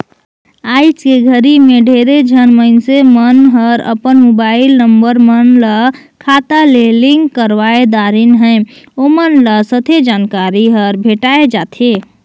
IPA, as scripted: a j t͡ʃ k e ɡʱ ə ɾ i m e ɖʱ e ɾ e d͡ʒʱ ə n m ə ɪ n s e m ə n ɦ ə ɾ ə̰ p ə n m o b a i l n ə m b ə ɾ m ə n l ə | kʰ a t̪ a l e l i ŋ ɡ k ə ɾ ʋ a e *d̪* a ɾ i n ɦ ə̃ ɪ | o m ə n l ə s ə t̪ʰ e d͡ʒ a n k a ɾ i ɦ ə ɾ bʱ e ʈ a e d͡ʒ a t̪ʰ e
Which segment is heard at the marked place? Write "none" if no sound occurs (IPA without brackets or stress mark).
d̪